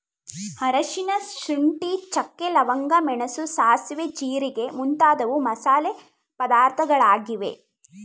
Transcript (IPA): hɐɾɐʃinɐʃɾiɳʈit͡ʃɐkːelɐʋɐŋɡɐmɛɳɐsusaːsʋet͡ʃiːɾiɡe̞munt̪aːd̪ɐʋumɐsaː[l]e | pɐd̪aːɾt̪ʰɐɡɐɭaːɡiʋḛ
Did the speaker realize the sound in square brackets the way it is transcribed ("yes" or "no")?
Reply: yes